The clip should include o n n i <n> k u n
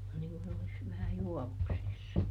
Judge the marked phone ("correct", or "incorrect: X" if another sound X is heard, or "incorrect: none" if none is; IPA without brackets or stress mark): incorrect: ŋ